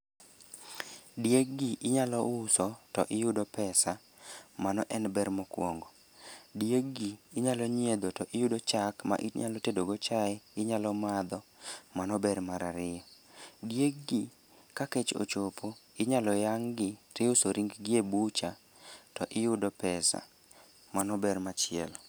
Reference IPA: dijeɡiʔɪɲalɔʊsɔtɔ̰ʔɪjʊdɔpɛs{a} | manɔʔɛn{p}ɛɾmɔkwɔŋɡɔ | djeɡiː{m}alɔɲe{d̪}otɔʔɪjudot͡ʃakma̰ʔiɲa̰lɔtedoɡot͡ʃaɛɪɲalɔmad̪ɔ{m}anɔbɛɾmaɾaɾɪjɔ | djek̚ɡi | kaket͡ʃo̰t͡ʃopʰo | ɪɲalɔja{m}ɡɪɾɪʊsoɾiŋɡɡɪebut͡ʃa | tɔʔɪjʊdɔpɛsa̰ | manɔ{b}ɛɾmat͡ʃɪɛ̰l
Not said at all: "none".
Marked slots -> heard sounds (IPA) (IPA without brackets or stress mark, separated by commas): a, b, ɲ, d̪, m, ŋ, b